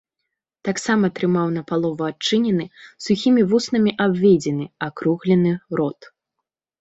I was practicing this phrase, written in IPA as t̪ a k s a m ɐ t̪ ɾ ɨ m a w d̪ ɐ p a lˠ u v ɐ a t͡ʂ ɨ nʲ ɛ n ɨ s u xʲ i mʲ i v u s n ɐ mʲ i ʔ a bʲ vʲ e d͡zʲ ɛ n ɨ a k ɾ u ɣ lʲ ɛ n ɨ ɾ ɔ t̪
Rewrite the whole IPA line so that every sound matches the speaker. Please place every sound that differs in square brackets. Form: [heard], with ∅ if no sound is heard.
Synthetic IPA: t̪ a k s a m ɐ t̪ ɾ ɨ m a w [n̪] ɐ p a lˠ [ɔ] v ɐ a t͡ʂ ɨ nʲ ɛ n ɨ s u xʲ i mʲ i v u s n ɐ mʲ i ʔ a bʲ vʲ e d͡zʲ ɛ n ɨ a k ɾ u ɣ lʲ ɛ n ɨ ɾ ɔ t̪

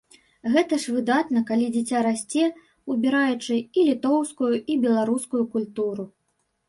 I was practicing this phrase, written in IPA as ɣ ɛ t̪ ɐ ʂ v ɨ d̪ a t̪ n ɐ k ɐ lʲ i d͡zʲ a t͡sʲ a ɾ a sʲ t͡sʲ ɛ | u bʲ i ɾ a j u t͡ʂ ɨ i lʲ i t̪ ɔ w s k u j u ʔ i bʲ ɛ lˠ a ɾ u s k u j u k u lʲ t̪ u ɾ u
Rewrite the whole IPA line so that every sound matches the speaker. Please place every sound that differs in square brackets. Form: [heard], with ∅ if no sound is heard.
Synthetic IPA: ɣ ɛ t̪ ɐ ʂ v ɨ d̪ a t̪ n ɐ k [a] lʲ i d͡zʲ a t͡sʲ a ɾ a sʲ t͡sʲ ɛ | u bʲ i ɾ a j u t͡ʂ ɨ i lʲ i t̪ ɔ w s k u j u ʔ i bʲ ɛ lˠ a ɾ u s k u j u k u lʲ t̪ u ɾ u

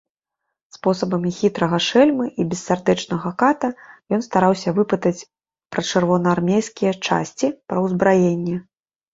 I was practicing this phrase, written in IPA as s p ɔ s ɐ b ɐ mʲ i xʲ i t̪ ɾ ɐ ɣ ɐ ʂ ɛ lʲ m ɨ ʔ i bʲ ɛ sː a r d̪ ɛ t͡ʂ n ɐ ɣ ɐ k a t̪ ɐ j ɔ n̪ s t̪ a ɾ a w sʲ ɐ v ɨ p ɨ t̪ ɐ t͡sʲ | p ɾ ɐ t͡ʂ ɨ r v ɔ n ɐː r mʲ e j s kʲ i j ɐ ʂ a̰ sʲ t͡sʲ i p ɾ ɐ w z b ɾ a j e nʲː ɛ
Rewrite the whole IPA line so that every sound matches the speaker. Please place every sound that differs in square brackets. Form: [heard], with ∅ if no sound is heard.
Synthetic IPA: s p ɔ s ɐ b ɐ mʲ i xʲ i t̪ ɾ ɐ ɣ ɐ ʂ ɛ lʲ m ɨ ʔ i bʲ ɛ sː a r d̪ ɛ t͡ʂ n ɐ ɣ ɐ k a t̪ ɐ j ɔ n̪ s t̪ a ɾ a w sʲ ɐ v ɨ p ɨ t̪ ɐ t͡sʲ | p ɾ ɐ t͡ʂ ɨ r v ɔ n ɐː r mʲ e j s kʲ i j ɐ [t͡ʂ] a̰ sʲ t͡sʲ i p ɾ ɐ w z b ɾ a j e nʲː ɛ

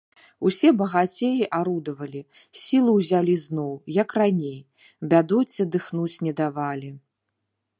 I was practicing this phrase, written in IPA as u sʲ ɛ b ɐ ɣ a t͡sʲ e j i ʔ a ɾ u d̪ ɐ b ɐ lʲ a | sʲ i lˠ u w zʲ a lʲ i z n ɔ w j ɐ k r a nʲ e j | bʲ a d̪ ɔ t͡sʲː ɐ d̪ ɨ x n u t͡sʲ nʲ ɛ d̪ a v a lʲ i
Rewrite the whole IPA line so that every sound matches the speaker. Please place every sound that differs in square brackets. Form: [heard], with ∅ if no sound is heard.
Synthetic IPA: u sʲ ɛ b ɐ ɣ a t͡sʲ e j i ʔ a ɾ u d̪ ɐ [v] ɐ lʲ [i] | sʲ i lˠ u w zʲ a lʲ i z n ɔ w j ɐ k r a nʲ e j | bʲ a d̪ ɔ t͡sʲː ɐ d̪ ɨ x n u t͡sʲ nʲ ɛ d̪ a v a lʲ i

